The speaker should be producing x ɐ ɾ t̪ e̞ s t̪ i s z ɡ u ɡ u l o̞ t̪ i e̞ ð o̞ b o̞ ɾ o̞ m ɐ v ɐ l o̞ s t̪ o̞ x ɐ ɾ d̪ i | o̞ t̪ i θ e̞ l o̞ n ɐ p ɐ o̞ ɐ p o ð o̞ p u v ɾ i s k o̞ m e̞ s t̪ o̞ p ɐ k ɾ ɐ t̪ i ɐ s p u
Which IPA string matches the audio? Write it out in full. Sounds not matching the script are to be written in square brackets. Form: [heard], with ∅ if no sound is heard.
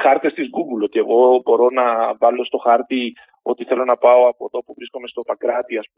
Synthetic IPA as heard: x ɐ ɾ t̪ e̞ s t̪ i [∅] z ɡ u ɡ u l o̞ t̪ i e̞ [ɣ] o̞ b o̞ ɾ o̞ [n] ɐ v ɐ l o̞ s t̪ o̞ x ɐ ɾ [t̪] i | o̞ t̪ i θ e̞ l o̞ n ɐ p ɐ o̞ ɐ p o ð o̞ p u v ɾ i s k o̞ m e̞ s t̪ o̞ p ɐ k ɾ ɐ t̪ i ɐ s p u